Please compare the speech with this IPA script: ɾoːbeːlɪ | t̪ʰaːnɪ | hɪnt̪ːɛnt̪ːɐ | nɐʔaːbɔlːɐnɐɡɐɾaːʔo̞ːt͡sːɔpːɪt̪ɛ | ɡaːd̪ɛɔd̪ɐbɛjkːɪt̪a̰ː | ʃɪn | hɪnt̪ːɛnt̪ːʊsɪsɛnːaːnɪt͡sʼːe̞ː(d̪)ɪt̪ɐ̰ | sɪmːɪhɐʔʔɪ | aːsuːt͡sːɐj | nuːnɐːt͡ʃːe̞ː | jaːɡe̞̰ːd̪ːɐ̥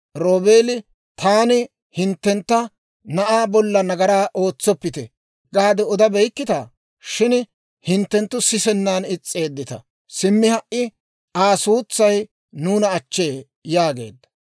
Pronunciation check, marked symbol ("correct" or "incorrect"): incorrect